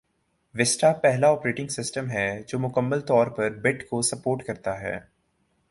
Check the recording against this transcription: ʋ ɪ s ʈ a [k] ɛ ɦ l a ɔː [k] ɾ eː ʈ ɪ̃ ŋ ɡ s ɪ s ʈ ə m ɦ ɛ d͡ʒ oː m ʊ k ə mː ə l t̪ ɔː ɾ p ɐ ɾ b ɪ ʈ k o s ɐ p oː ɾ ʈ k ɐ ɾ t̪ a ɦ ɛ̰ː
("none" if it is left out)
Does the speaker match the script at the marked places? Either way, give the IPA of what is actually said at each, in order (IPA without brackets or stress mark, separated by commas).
p, p